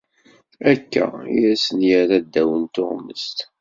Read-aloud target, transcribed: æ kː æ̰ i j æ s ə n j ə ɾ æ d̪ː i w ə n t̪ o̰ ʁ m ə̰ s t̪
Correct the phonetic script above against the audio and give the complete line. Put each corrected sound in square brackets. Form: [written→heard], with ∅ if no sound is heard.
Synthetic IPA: æ kː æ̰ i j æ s ə n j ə ɾ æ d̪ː [i→æ] w ə n t̪ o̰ ʁ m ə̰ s t̪